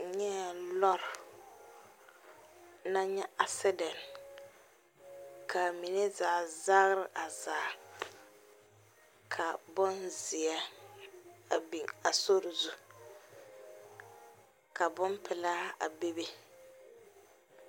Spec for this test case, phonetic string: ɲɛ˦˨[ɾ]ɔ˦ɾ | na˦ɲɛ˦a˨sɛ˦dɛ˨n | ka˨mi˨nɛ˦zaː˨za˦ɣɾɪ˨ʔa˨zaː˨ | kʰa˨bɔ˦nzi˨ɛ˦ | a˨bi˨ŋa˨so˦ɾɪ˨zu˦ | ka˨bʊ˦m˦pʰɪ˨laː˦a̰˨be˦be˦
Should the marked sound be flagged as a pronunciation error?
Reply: yes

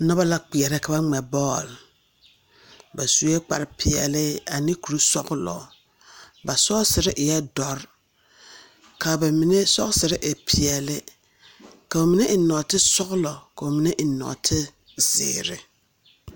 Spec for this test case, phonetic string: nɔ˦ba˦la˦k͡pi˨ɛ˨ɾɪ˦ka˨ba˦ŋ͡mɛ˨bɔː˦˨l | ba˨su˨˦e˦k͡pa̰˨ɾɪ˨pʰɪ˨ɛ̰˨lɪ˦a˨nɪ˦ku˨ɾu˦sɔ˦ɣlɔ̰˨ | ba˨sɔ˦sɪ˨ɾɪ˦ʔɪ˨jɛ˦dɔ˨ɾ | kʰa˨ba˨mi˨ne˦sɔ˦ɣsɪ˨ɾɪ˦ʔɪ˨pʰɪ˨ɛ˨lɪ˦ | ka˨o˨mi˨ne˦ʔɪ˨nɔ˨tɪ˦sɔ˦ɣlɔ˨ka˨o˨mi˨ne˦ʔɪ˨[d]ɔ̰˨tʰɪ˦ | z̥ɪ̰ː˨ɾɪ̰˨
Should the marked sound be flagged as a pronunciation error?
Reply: yes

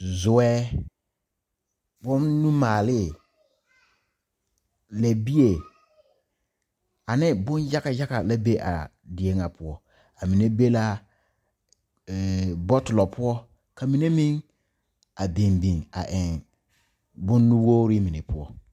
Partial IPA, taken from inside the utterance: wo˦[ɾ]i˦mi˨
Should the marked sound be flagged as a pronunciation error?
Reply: no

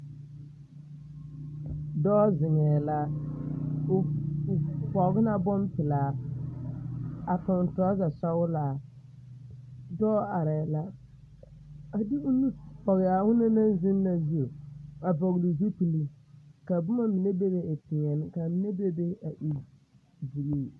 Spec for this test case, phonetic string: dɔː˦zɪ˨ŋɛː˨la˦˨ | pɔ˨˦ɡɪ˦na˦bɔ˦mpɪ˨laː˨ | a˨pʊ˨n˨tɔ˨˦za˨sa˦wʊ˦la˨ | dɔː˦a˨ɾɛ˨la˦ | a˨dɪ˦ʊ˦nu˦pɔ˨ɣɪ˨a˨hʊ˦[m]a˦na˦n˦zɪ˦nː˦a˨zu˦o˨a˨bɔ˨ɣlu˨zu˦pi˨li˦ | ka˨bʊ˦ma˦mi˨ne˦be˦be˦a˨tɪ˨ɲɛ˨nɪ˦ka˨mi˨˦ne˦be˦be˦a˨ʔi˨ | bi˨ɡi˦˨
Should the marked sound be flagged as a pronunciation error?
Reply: yes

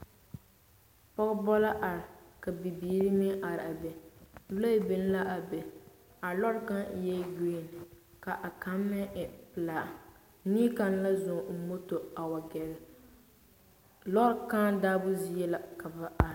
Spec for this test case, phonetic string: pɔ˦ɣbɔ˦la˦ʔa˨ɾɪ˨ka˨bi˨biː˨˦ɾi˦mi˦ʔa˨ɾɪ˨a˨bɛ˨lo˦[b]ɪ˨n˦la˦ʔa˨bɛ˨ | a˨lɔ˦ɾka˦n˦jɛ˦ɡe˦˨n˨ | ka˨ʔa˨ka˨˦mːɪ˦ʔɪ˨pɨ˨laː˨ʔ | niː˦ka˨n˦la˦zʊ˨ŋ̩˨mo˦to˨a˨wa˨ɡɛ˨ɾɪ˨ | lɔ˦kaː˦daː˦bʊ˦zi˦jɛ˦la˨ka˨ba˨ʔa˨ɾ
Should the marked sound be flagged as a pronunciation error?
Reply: no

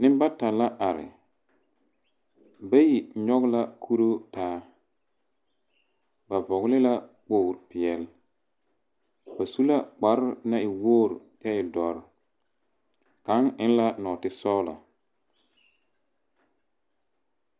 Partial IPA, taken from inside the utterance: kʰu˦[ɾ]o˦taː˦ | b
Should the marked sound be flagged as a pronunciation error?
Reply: no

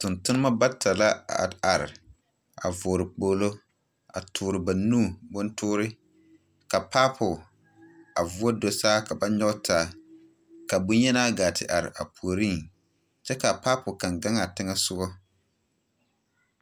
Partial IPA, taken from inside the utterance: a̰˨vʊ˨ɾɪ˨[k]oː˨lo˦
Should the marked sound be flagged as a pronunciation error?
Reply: yes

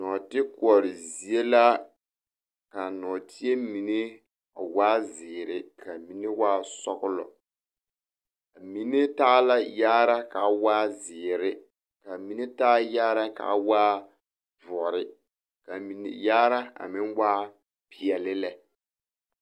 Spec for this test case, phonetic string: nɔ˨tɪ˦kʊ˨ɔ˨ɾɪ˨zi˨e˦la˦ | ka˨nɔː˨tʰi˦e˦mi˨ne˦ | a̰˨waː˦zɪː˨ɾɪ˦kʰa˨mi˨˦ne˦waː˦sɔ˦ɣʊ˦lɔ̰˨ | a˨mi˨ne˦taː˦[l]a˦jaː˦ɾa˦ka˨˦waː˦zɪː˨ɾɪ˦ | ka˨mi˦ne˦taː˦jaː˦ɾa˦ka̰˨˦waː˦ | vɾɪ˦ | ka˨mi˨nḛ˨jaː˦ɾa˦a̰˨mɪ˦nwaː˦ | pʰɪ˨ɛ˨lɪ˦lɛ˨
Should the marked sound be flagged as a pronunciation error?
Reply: no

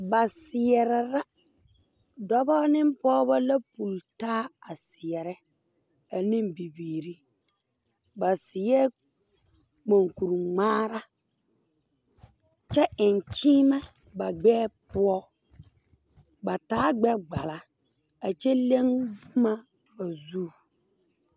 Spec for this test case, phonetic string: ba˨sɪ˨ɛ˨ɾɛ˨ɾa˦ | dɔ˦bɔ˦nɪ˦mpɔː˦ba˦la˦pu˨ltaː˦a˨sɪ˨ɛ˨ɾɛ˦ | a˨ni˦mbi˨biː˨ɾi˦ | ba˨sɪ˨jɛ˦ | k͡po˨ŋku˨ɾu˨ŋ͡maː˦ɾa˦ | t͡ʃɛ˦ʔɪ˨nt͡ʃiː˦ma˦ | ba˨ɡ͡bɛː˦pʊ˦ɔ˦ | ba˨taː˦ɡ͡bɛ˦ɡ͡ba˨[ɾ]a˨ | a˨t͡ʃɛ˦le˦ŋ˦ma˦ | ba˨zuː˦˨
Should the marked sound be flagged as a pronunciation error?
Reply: yes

